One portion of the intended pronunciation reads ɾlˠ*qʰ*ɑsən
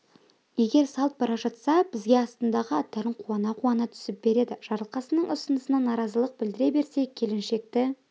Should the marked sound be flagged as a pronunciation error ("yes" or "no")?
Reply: yes